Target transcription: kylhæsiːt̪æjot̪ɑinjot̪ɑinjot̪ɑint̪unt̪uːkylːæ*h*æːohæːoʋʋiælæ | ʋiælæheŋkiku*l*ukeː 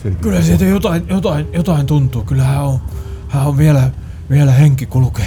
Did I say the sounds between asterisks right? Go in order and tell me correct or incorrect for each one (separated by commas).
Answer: correct, correct